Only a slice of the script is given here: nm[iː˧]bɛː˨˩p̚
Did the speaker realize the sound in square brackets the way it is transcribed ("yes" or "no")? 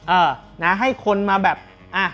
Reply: no